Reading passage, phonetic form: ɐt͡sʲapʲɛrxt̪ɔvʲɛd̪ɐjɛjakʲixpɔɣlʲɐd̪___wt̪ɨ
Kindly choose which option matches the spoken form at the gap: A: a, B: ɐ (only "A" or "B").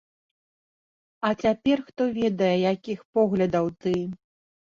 B